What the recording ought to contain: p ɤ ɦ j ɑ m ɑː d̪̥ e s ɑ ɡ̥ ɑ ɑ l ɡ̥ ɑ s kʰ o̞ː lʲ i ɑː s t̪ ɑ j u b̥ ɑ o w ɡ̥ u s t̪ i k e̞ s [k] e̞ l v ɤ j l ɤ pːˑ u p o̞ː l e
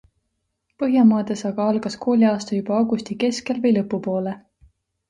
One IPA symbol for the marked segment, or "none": k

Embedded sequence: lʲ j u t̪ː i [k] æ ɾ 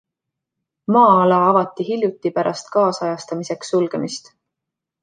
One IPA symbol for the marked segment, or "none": p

